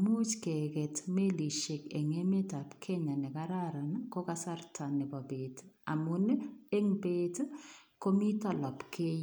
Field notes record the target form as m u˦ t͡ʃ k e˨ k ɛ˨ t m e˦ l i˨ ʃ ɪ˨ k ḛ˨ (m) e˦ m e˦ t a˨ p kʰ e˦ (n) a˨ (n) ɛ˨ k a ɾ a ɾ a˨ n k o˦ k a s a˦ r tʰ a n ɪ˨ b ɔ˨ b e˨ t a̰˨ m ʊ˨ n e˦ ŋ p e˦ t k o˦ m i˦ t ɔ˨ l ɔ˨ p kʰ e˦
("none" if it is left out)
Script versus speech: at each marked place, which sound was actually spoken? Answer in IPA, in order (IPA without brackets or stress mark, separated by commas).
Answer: ŋ, ɲ, n